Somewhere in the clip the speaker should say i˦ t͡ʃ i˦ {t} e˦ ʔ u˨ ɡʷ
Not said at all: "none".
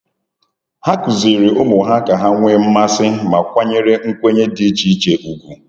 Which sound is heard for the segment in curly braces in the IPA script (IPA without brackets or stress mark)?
t͡ʃ